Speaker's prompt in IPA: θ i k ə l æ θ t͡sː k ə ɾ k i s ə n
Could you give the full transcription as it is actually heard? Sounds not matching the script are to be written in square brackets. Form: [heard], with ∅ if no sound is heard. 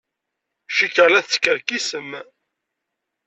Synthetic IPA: [ʃ] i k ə l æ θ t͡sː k ə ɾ k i s ə [m]